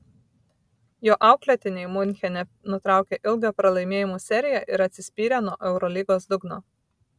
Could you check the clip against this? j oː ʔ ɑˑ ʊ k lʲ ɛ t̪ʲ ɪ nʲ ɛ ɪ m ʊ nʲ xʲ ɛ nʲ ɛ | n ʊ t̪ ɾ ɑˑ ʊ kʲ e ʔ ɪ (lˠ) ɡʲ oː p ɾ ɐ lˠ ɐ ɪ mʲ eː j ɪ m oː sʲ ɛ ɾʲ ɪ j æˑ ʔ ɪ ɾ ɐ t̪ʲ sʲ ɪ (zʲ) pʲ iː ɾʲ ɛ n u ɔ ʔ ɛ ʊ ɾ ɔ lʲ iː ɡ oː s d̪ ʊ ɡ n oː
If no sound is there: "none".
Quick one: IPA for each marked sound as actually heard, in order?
lˠ, sʲ

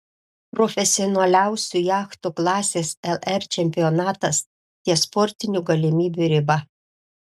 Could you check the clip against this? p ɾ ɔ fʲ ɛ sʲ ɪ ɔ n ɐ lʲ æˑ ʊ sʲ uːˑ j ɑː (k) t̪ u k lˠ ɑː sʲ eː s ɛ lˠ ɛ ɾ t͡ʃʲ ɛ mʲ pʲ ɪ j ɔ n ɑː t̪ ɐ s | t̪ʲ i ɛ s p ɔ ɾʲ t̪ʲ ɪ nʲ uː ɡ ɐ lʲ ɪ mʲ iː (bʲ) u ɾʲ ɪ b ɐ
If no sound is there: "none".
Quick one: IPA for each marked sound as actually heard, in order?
x, bʲ

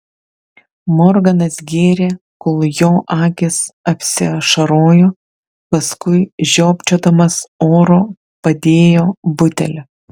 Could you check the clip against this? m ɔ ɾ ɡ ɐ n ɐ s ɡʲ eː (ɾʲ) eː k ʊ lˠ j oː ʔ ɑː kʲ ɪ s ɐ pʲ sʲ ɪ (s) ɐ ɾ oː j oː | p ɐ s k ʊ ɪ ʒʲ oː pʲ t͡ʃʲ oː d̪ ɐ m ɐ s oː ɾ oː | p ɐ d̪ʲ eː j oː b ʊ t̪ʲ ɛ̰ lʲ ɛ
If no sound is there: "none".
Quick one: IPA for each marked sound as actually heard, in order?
ɾʲ, ʃ

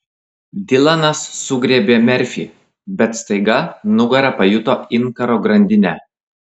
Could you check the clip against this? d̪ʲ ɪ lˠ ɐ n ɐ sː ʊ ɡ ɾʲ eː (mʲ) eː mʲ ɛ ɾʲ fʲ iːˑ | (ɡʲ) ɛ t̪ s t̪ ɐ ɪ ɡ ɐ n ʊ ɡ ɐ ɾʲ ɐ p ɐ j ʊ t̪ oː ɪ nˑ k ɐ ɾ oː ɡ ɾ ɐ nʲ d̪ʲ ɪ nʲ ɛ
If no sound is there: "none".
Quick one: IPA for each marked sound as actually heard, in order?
bʲ, bʲ

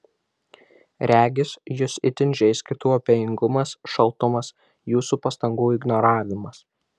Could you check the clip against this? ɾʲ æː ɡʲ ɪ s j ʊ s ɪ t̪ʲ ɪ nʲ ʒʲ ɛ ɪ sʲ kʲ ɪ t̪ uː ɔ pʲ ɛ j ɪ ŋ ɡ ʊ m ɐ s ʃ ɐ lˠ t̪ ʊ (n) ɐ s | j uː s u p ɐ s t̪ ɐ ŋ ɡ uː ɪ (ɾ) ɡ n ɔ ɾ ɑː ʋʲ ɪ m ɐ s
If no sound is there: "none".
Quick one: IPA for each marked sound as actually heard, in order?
m, none

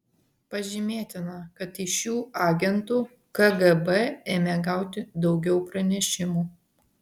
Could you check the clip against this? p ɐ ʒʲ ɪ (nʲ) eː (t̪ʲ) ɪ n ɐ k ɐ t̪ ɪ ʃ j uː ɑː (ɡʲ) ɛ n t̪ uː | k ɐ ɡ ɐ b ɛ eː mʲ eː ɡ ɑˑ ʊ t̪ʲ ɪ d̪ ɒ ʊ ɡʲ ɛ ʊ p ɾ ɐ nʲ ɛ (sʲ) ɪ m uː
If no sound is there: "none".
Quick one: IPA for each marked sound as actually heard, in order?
mʲ, t̪ʲ, ɡʲ, ʃʲ

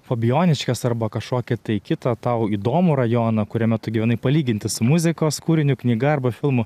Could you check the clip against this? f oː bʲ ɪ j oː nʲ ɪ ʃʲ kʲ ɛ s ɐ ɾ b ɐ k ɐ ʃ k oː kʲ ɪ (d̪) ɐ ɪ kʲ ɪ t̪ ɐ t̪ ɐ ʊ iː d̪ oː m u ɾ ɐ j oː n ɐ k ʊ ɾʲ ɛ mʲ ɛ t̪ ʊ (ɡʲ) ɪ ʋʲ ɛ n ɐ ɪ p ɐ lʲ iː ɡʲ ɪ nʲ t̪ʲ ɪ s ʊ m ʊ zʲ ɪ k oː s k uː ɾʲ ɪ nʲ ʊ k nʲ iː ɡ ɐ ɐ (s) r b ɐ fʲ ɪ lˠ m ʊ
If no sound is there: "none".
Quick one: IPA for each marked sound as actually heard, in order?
t̪, ɡʲ, none

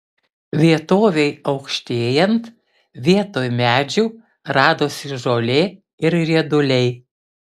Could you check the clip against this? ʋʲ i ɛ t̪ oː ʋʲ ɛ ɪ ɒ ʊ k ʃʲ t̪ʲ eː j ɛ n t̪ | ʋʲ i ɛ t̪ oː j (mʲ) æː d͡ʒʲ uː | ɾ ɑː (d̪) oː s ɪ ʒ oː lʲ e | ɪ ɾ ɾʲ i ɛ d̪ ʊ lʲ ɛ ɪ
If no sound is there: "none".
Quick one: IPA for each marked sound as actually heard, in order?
mʲ, d̪

